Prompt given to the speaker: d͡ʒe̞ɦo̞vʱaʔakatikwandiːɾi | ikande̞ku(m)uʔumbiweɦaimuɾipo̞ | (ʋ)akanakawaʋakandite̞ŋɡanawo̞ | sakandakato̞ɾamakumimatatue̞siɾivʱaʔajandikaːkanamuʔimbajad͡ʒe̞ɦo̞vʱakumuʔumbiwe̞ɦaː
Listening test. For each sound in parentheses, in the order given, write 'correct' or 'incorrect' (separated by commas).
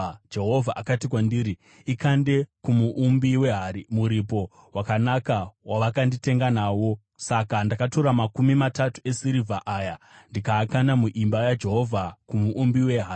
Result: correct, incorrect